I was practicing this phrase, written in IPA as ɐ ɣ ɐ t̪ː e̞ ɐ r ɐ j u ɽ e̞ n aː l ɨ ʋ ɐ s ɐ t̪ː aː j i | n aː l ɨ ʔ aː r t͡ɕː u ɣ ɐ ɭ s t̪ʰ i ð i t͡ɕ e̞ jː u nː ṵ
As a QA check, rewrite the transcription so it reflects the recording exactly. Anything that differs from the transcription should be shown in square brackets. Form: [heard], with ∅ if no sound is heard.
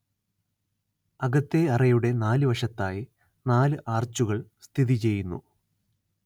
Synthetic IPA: ɐ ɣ ɐ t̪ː e̞ ɐ r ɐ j u ɽ e̞ n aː l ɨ ʋ ɐ [ʂ] ɐ t̪ː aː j i | n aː l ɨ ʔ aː r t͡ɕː u ɣ ɐ ɭ s t̪ʰ i ð i t͡ɕ e̞ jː u nː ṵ